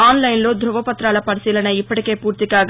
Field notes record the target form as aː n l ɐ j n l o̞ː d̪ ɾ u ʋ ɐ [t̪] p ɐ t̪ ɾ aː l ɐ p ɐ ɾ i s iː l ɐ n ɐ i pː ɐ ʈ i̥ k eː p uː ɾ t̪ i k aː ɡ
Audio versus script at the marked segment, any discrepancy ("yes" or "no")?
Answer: yes